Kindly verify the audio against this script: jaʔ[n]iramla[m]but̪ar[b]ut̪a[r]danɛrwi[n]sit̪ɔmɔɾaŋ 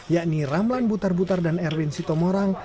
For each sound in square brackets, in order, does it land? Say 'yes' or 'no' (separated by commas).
yes, no, yes, yes, yes